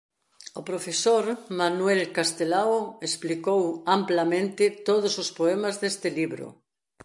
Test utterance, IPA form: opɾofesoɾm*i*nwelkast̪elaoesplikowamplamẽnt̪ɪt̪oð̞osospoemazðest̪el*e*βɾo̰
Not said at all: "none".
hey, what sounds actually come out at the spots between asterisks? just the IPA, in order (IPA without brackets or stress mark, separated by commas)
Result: a, i